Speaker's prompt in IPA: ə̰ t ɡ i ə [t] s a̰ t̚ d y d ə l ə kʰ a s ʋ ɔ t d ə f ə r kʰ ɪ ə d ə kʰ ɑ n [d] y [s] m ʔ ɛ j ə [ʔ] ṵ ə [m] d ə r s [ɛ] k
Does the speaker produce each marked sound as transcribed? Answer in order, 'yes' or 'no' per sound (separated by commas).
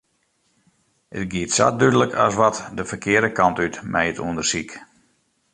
yes, no, no, no, no, no